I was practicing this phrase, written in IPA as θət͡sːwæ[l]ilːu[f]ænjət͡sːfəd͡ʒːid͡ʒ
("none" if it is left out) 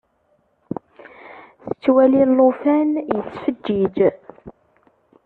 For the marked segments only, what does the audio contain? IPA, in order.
l, f

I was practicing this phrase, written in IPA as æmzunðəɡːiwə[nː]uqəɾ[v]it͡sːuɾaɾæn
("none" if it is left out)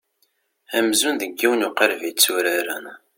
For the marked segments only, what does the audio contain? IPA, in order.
n, v

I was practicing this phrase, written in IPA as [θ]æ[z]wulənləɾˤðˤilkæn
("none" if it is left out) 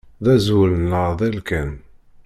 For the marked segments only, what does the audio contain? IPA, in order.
ð, z

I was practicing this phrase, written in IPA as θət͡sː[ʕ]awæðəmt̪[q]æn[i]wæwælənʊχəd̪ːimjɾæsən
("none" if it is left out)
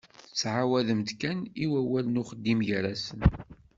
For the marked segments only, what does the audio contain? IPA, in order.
ʕ, k, i

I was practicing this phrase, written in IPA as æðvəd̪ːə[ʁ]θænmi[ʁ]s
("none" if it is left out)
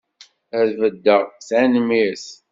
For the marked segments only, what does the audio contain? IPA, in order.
ʁ, none

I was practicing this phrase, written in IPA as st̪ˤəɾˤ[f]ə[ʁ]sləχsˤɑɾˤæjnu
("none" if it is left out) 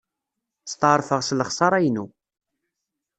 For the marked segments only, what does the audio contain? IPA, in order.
f, ʁ

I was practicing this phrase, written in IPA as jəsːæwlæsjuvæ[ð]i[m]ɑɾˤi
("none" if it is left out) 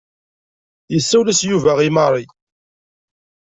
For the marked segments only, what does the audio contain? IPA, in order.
ʁ, m

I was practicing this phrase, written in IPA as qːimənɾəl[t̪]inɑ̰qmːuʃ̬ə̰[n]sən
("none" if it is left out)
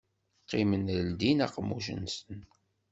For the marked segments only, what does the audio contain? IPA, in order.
d̪, n

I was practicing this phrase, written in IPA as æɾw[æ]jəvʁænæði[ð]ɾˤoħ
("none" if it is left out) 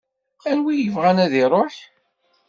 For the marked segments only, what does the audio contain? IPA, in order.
i, none

